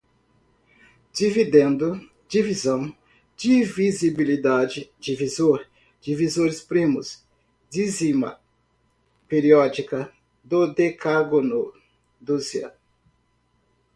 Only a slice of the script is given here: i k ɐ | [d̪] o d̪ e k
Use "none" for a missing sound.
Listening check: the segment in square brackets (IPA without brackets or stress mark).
d̪